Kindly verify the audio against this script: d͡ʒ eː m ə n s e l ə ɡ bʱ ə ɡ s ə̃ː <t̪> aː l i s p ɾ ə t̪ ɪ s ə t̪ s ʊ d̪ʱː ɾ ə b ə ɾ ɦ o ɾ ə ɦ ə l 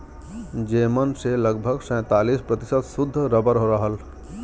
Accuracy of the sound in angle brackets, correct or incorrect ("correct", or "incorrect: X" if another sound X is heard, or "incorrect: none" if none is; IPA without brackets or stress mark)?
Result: correct